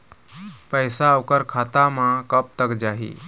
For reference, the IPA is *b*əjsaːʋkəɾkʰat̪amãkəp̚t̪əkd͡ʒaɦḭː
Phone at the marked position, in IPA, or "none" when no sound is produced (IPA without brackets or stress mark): p